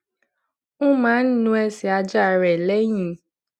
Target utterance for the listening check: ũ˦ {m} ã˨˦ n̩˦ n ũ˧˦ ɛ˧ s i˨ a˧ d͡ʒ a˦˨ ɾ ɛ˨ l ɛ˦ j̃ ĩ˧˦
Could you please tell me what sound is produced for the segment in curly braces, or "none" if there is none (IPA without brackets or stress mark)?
m